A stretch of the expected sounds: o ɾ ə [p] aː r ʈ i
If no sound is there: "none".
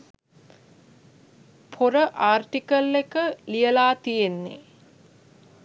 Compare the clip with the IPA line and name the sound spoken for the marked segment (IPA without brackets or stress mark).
ʔ